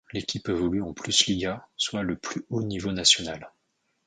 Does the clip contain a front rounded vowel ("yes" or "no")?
yes